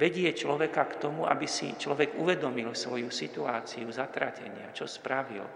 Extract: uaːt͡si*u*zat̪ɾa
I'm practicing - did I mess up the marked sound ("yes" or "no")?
no